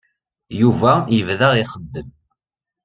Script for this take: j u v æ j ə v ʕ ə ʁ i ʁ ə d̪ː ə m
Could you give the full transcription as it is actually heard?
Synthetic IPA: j u v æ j ə v ð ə ʁ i χ ə d̪ː ə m